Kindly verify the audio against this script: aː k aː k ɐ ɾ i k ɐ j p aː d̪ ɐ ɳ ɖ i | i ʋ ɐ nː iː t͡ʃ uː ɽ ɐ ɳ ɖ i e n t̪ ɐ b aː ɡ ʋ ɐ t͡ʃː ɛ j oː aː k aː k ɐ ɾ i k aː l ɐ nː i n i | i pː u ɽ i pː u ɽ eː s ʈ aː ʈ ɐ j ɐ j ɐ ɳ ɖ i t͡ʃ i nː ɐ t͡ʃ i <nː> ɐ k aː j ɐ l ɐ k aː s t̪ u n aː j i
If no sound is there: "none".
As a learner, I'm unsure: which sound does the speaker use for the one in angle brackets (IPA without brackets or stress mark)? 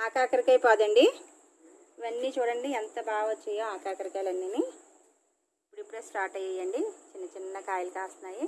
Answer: nː